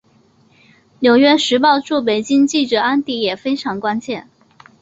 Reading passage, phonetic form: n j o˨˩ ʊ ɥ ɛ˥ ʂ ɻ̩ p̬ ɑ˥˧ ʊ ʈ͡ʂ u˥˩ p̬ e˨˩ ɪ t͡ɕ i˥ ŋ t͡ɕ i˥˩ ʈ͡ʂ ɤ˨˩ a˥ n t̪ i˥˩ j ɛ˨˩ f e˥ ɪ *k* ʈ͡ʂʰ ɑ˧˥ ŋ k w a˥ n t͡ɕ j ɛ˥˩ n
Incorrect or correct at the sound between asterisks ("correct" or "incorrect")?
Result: incorrect